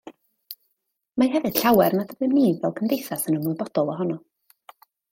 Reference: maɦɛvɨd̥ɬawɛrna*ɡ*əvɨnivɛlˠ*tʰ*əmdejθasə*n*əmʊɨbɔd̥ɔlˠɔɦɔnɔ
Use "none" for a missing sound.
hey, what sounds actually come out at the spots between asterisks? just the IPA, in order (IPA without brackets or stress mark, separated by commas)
d, kʰ, n